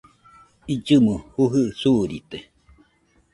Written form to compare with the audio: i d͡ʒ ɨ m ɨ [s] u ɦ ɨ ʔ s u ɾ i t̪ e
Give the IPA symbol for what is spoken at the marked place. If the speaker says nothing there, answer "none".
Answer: h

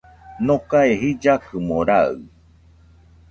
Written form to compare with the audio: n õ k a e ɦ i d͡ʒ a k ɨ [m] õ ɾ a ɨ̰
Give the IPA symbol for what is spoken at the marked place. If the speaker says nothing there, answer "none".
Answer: m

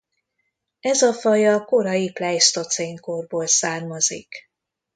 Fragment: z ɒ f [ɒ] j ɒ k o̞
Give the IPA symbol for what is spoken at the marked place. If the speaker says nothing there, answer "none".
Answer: ɒ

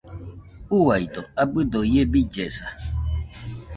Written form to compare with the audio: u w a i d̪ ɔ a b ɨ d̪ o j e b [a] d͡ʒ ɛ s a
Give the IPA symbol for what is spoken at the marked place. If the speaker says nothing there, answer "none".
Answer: i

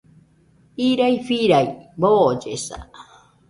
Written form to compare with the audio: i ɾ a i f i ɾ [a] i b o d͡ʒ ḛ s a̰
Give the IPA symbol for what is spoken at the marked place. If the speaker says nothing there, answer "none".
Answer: a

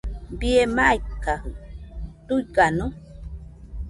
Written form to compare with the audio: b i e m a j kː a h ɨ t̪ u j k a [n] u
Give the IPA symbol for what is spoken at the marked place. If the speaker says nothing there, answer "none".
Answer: n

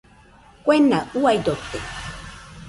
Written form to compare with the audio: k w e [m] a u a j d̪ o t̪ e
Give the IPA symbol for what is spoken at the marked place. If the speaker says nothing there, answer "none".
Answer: n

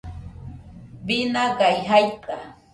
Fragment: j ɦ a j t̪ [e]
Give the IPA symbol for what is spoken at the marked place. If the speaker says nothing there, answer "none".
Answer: a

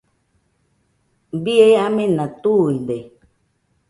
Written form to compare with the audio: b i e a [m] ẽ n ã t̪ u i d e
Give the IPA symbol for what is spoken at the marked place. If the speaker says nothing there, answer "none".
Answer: m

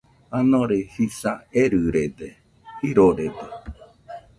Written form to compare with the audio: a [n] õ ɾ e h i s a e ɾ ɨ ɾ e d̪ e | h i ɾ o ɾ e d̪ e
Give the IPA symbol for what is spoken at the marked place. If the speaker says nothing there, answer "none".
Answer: n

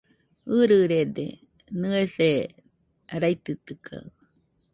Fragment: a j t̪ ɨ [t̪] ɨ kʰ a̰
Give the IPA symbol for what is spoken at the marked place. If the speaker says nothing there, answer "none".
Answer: t̪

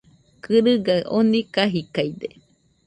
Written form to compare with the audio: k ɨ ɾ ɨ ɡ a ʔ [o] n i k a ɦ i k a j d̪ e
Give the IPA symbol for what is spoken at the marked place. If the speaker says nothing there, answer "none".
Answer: o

